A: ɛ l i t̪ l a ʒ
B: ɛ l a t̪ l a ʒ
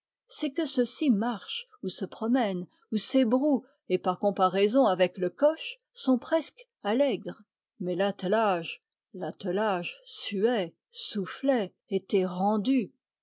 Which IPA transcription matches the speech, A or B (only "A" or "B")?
B